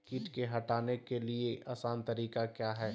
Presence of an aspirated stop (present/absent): absent